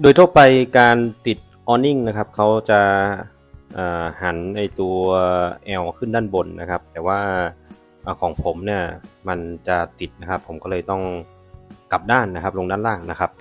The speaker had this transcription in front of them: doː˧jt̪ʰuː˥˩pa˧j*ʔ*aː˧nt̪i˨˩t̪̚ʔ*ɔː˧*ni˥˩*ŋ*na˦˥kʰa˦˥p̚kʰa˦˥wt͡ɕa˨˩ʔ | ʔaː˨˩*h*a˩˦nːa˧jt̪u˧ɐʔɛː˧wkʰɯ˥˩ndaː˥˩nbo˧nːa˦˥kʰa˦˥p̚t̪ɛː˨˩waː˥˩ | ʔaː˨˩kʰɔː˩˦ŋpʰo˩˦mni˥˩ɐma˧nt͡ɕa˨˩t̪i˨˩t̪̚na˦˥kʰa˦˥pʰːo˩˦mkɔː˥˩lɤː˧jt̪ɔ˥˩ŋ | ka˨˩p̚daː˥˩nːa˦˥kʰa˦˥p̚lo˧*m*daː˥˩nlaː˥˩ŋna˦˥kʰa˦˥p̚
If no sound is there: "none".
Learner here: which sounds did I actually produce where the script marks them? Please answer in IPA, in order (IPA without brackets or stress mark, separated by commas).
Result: k, ɔː˧, ŋ, h, ŋ